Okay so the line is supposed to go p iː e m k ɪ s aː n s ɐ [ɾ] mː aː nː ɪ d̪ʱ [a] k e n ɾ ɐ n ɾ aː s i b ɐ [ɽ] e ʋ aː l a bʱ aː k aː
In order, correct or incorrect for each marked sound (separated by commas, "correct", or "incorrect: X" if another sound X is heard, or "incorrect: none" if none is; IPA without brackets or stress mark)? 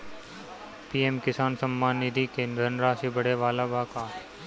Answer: incorrect: none, incorrect: i, correct